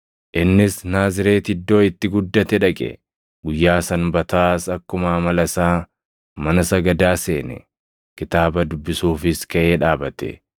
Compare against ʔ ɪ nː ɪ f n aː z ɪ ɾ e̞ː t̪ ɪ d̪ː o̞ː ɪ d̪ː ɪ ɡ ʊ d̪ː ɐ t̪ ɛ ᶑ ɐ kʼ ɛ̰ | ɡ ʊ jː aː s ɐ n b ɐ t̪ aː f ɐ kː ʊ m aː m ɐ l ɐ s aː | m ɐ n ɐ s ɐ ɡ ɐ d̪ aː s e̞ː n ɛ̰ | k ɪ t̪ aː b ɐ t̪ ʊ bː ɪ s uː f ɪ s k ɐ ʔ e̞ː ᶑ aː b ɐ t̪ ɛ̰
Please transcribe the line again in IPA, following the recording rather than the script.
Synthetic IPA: ʔ ɪ nː ɪ s n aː z ɪ ɾ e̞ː t̪ ɪ d̪ː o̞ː ɪ t̪ː ɪ ɡ ʊ d̪ː ɐ t̪ ɛ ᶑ ɐ kʼ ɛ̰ | ɡ ʊ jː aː s ɐ n b ɐ t̪ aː s ɐ kː ʊ m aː m ɐ l ɐ s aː | m ɐ n ɐ s ɐ ɡ ɐ d̪ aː s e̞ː n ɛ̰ | k ɪ t̪ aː b ɐ d̪ ʊ bː ɪ s uː f ɪ s k ɐ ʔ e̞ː ᶑ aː b ɐ t̪ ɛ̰